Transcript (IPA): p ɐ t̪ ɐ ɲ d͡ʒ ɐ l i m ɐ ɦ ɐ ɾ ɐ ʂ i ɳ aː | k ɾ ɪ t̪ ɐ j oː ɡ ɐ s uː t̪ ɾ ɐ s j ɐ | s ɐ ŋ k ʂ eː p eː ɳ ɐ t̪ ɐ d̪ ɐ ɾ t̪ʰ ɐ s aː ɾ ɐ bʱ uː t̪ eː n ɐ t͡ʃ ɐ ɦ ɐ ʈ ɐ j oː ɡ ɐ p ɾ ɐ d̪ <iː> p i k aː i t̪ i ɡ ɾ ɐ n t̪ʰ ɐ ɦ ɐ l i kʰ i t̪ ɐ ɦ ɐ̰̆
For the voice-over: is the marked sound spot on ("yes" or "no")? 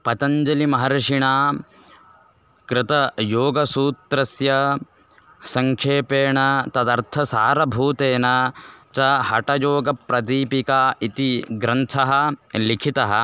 yes